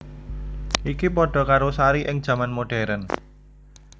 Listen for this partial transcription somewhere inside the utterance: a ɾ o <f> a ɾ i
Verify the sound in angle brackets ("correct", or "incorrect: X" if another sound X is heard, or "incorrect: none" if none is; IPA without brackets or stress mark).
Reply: incorrect: s